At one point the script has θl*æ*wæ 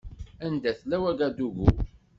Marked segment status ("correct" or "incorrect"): correct